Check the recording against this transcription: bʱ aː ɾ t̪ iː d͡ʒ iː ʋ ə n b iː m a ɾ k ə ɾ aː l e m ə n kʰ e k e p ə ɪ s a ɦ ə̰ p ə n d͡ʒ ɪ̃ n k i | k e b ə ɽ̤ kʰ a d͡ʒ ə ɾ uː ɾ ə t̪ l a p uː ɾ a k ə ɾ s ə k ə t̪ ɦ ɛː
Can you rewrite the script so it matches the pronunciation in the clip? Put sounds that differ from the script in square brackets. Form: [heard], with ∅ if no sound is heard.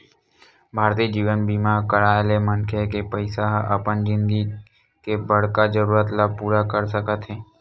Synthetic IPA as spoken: bʱ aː ɾ t̪ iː d͡ʒ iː ʋ ə n b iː m a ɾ k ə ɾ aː l e m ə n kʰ e k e p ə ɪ s a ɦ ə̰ p ə n d͡ʒ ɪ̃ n [ɡ] i | k e b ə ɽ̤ [k] a d͡ʒ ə ɾ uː ɾ ə t̪ l a p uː ɾ a k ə ɾ s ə k ə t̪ ɦ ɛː

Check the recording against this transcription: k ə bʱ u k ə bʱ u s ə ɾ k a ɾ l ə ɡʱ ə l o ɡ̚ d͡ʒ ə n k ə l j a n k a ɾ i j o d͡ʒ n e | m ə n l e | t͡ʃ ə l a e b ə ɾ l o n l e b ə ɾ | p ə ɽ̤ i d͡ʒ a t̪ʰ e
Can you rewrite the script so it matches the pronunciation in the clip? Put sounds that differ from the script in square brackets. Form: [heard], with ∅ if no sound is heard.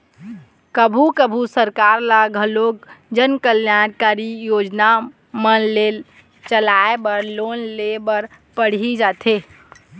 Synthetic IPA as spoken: k ə bʱ u k ə bʱ u s ə ɾ k a ɾ l [a] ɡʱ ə l o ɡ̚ d͡ʒ ə n k ə l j a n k a ɾ i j o d͡ʒ n [a] | m ə n l e | t͡ʃ ə l a e b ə ɾ l o n l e b ə ɾ | p ə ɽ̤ i d͡ʒ a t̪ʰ e

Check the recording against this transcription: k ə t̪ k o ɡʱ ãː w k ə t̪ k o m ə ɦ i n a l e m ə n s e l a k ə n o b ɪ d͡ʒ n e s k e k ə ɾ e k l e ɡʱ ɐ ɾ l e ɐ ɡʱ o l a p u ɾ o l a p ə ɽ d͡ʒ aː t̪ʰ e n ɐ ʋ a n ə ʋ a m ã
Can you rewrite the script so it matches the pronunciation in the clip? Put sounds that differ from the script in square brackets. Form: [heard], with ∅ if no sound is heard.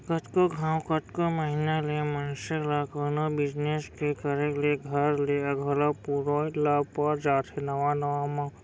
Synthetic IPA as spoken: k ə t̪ k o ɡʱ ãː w k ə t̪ k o m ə ɦ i n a l e m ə n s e l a k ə n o b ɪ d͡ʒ n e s k e k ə ɾ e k l e ɡʱ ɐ ɾ l e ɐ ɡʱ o l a p u ɾ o l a p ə [ɾ] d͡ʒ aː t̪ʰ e n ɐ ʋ a n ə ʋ a m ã

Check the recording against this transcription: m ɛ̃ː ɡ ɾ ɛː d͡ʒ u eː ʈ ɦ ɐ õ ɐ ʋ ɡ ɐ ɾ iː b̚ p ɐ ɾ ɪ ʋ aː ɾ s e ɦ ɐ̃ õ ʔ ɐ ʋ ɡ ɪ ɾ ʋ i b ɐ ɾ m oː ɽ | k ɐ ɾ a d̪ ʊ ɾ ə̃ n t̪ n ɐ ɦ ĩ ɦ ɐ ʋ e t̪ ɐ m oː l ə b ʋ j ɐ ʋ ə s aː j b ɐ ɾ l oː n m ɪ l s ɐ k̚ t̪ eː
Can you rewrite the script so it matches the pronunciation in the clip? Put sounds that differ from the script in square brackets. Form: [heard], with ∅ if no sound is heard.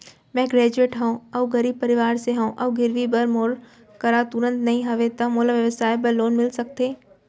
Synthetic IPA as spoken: m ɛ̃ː ɡ ɾ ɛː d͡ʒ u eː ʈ ɦ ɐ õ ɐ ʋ ɡ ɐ ɾ iː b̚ p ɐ ɾ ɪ ʋ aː ɾ s e ɦ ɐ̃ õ ʔ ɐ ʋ ɡ ɪ ɾ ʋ i b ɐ ɾ m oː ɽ | k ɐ ɾ a [t̪] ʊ ɾ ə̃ n t̪ n ɐ ɦ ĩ ɦ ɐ ʋ e t̪ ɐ m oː l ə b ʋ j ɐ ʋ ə s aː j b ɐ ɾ l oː n m ɪ l s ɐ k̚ t̪ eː

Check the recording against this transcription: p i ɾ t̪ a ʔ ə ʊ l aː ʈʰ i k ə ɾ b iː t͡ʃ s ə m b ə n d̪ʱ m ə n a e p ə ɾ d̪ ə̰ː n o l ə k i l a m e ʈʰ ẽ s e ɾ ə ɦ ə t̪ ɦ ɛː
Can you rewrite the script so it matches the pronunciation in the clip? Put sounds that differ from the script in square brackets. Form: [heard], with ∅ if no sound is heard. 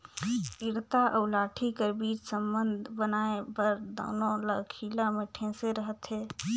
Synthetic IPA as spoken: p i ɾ t̪ a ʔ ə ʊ l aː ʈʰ i k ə ɾ b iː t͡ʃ s ə m b ə n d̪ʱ [b] ə n a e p ə ɾ d̪ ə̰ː n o l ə [kʰ] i l a m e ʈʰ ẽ s e ɾ ə ɦ ə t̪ ɦ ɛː

